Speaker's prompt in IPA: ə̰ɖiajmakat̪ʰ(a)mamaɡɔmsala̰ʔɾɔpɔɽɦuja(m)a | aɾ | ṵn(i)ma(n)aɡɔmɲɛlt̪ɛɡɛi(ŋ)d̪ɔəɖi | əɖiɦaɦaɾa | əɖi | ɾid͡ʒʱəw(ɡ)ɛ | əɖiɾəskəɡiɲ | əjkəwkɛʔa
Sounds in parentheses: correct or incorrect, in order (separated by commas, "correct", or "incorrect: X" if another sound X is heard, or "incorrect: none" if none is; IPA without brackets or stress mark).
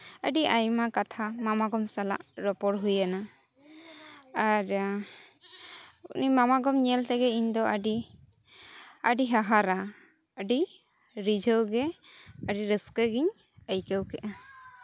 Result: correct, incorrect: n, correct, incorrect: m, incorrect: ɲ, correct